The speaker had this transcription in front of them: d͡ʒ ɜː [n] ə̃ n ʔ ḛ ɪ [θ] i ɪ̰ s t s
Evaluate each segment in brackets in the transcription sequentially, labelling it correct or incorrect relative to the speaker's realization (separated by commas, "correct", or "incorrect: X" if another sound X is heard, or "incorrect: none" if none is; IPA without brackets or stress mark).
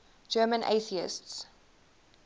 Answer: incorrect: m, correct